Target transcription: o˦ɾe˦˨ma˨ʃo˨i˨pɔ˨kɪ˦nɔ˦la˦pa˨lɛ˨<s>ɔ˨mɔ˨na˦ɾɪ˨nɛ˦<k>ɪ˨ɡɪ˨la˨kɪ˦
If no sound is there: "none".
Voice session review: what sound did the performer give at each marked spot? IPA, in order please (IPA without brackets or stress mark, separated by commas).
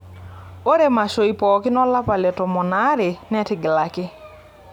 t, t